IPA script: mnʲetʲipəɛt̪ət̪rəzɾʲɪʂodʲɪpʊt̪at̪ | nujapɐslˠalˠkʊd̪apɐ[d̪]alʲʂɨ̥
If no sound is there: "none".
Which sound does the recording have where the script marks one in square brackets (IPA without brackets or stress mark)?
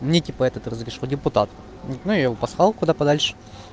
d̪